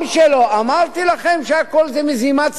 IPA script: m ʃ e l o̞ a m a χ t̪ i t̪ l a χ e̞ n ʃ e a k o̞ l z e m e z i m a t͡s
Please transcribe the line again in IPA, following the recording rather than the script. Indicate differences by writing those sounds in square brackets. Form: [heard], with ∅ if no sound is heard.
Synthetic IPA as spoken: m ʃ e l o̞ a m a [ʁ] t̪ i [∅] l a χ e̞ [m] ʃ e a k o̞ l z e m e z i m a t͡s